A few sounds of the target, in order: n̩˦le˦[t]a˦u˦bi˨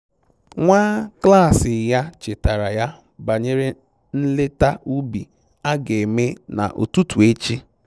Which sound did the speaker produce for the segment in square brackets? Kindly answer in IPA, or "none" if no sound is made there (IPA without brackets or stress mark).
t